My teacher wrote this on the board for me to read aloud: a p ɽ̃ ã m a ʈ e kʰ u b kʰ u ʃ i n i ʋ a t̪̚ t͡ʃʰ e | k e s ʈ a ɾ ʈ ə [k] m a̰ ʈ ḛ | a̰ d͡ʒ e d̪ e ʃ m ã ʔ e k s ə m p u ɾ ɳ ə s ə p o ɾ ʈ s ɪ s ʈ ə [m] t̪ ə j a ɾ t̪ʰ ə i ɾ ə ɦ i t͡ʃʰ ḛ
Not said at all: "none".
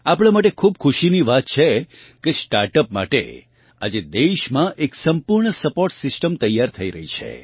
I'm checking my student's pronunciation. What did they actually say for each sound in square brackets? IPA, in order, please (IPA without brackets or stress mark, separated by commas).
p, m